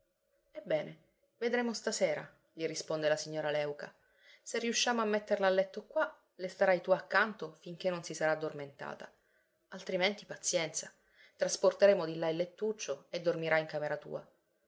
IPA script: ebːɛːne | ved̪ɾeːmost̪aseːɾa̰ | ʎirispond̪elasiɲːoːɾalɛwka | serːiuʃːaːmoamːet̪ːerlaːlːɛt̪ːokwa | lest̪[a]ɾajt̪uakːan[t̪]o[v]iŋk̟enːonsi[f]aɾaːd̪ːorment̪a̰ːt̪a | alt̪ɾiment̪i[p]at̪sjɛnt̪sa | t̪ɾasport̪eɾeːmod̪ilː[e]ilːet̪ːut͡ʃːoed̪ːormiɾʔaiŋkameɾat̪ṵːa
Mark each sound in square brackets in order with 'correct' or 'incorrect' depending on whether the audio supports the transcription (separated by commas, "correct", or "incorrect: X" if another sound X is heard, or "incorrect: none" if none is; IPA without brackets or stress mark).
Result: correct, correct, incorrect: f, incorrect: s, correct, incorrect: a